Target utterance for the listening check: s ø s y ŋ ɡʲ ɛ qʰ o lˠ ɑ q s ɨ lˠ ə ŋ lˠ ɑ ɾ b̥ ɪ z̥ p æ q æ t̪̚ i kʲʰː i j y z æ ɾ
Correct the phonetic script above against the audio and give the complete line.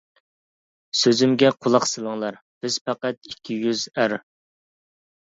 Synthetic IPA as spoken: s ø z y m ɡʲ ɛ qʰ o lˠ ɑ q s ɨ lˠ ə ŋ lˠ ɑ ɾ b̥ ɪ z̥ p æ q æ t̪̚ i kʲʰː i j y z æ ɾ